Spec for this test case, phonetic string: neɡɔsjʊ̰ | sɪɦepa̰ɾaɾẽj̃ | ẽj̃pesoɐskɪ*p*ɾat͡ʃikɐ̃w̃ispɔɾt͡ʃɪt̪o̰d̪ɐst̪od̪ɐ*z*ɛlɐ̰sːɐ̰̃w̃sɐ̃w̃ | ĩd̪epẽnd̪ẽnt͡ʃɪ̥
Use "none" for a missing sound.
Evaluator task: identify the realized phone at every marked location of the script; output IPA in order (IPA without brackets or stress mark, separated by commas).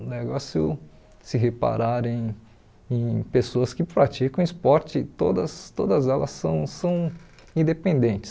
p, z